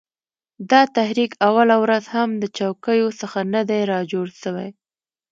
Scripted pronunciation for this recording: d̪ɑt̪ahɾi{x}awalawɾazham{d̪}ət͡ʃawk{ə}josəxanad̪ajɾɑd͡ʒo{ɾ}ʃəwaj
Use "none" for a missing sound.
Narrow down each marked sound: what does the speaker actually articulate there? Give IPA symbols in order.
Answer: k, d̪, ə, ɽ

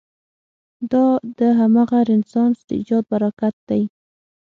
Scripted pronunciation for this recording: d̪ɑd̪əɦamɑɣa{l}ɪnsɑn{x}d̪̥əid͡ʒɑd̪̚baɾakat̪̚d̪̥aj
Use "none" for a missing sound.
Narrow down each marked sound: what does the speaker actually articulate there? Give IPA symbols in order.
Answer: ɾ, s

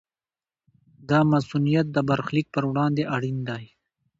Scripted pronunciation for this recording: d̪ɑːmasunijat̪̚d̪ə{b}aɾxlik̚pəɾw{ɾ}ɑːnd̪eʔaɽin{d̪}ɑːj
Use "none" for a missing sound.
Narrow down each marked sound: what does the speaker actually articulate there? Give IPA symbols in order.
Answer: b, ɽ, d̪

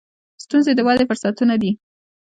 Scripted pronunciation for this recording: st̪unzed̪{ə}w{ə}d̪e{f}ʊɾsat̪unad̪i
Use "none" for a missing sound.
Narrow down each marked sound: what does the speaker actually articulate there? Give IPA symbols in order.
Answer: ə, ɑ, f

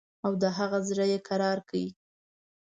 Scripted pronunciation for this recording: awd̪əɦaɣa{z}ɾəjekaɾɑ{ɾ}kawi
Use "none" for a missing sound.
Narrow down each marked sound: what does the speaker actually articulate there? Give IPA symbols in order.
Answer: z, ɾ

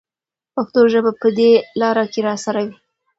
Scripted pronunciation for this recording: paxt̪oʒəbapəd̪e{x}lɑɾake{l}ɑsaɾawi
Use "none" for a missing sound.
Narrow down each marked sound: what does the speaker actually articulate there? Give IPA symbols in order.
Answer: none, ɾ

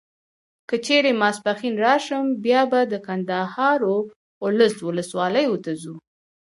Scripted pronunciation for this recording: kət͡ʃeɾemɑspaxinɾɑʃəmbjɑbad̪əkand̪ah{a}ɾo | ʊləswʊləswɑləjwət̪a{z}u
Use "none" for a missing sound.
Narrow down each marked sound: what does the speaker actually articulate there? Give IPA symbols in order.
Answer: ɑ, z

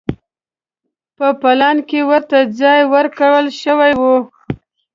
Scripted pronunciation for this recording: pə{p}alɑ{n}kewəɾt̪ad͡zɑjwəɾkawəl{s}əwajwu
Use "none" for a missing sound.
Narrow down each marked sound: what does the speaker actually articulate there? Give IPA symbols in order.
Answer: p, n, ʃ

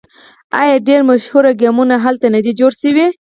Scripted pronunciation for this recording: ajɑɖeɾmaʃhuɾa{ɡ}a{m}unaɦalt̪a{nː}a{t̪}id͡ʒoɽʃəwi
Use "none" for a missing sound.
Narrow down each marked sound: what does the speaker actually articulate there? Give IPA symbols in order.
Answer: ɡ, m, n, d̪

